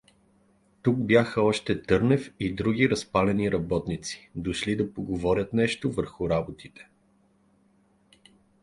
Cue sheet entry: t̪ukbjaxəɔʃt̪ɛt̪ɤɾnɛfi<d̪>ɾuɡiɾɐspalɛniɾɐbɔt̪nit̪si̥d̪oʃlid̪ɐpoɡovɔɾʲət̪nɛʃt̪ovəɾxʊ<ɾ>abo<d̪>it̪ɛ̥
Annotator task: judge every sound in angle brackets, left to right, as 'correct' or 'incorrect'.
correct, correct, incorrect

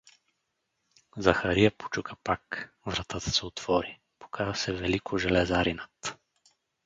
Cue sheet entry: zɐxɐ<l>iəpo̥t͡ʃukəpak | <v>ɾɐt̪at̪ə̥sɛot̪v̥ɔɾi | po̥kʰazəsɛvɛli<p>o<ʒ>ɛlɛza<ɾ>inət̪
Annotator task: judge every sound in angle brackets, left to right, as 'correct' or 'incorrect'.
incorrect, correct, incorrect, correct, correct

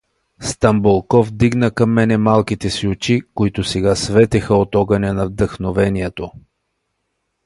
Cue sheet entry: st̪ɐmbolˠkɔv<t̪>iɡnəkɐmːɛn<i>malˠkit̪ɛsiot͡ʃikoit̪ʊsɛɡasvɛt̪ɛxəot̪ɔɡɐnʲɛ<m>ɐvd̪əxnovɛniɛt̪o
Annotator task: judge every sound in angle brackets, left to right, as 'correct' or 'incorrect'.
incorrect, incorrect, incorrect

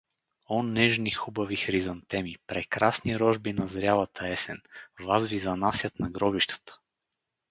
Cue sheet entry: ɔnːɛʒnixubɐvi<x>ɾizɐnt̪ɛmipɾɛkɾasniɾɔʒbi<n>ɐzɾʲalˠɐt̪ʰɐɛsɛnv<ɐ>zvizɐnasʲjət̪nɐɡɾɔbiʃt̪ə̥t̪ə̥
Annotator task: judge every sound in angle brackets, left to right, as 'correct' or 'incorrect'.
correct, correct, incorrect

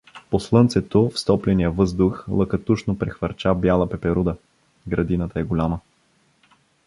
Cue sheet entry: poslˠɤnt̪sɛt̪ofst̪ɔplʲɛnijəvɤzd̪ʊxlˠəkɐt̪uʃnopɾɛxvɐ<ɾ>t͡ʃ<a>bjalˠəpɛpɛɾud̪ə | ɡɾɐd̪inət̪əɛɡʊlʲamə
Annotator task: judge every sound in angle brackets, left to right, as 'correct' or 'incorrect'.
correct, correct

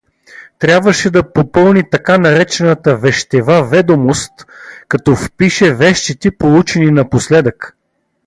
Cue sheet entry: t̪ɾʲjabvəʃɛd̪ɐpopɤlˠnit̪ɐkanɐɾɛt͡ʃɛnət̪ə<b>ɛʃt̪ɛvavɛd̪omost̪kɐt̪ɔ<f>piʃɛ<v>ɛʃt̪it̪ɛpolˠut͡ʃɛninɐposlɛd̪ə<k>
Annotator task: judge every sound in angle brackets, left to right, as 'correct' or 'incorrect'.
incorrect, correct, correct, correct

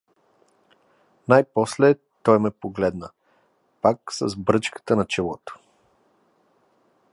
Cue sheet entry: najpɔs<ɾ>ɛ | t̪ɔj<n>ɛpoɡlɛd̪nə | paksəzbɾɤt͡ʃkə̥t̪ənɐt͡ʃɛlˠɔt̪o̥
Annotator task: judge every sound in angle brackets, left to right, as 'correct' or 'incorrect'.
incorrect, incorrect

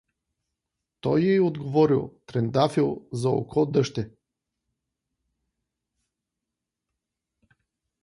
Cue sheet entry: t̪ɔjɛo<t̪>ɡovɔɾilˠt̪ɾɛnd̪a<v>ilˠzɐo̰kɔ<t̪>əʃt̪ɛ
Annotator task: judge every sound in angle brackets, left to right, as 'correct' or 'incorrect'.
incorrect, incorrect, incorrect

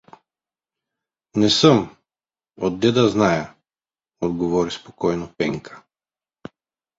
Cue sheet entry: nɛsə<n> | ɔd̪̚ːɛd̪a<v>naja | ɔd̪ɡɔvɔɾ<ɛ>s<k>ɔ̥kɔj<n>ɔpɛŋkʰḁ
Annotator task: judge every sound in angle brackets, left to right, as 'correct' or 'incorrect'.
incorrect, incorrect, incorrect, incorrect, correct

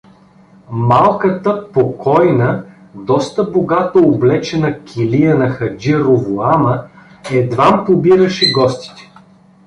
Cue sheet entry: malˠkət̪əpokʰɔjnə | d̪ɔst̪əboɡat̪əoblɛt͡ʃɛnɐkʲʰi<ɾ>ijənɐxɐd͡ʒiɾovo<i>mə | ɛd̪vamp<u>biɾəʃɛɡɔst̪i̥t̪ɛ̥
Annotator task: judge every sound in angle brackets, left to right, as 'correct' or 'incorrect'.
incorrect, incorrect, incorrect

